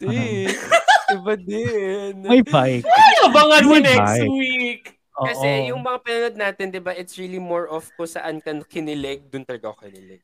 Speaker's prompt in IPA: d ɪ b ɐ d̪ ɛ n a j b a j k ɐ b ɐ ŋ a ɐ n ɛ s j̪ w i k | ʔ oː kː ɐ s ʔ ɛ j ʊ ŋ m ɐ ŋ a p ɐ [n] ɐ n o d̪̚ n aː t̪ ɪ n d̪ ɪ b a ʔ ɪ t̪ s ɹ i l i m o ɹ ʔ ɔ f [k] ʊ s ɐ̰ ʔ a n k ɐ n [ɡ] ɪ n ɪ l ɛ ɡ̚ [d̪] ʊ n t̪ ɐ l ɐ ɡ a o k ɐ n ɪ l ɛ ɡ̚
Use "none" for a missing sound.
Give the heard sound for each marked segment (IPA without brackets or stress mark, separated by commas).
n, k, k, d̪